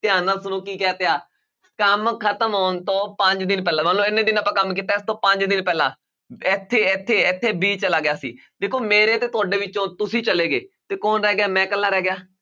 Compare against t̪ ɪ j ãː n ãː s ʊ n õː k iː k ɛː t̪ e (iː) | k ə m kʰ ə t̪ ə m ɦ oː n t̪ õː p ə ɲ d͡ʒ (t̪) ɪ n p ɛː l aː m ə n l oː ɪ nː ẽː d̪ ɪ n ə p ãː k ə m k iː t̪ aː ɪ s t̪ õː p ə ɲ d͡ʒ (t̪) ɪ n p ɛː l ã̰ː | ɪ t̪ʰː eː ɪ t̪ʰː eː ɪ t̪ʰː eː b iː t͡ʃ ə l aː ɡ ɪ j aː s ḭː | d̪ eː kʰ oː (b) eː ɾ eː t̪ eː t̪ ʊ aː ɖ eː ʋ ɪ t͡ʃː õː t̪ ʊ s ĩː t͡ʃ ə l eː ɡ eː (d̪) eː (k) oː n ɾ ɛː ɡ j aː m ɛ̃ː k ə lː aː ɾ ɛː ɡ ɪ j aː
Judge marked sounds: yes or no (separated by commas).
no, no, no, no, no, yes